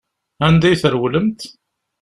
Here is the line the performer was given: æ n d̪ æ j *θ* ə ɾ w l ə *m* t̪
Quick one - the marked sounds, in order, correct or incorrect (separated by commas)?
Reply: correct, correct